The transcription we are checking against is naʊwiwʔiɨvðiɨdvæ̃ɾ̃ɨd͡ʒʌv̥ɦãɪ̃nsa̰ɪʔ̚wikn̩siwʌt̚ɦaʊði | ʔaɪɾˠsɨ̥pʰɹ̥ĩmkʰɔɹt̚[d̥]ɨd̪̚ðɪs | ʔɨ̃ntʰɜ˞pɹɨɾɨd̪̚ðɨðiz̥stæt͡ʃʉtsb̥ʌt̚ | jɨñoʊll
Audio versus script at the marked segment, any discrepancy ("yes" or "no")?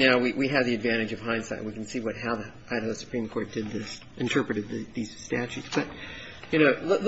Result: no